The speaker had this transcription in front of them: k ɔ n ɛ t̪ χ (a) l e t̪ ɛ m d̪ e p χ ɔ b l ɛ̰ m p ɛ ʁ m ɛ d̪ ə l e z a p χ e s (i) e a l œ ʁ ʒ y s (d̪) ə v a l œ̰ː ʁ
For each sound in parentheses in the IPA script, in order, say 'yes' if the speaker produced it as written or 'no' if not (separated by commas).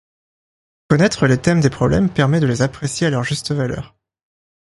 no, no, no